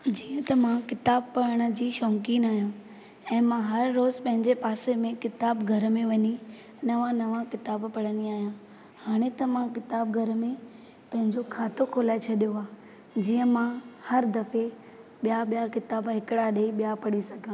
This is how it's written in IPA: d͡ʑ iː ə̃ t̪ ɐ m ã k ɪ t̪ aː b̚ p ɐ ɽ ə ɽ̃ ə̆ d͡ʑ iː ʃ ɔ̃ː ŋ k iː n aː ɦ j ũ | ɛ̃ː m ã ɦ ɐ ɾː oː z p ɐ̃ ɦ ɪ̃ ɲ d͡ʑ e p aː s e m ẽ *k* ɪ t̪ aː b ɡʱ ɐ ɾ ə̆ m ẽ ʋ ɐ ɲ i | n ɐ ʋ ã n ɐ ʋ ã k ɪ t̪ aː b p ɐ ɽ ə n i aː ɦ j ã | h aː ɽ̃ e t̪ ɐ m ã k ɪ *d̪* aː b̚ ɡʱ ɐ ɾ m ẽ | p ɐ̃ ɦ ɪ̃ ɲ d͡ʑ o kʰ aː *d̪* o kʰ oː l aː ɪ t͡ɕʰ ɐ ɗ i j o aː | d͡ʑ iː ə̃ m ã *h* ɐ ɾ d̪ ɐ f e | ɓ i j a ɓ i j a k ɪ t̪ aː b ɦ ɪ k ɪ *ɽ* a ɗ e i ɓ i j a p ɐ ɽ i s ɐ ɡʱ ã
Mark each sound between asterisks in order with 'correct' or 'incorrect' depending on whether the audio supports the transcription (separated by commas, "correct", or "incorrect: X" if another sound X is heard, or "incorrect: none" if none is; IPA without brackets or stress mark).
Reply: correct, incorrect: t̪, incorrect: t̪, correct, correct